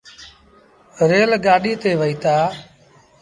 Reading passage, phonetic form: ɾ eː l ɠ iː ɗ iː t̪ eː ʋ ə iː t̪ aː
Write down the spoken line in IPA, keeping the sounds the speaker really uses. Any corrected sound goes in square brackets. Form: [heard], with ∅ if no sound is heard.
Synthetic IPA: ɾ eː l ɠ [aː] ɗ iː t̪ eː ʋ ə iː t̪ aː